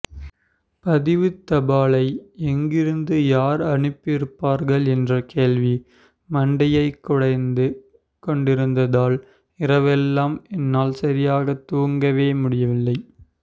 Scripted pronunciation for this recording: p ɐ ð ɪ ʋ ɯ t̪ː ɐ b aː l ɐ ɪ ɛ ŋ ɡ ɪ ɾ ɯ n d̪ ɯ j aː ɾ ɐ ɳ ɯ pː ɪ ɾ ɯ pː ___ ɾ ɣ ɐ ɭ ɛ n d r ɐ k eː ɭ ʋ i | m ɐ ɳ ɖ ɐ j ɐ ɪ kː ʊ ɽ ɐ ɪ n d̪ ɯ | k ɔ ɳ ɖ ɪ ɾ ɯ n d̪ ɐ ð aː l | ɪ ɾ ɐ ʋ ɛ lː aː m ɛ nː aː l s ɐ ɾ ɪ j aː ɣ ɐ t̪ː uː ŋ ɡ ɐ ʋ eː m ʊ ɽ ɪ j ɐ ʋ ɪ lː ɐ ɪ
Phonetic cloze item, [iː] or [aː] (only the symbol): aː